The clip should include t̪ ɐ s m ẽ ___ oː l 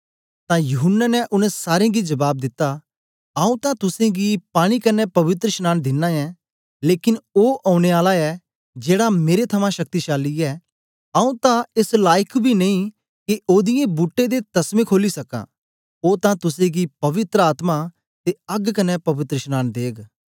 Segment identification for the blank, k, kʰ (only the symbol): kʰ